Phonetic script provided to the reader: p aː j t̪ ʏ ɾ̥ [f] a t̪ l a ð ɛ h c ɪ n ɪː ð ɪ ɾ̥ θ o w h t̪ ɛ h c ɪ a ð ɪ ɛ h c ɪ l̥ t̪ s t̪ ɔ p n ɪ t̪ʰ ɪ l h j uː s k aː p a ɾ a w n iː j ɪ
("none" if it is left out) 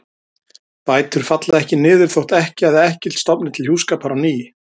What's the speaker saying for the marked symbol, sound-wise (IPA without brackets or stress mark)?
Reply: f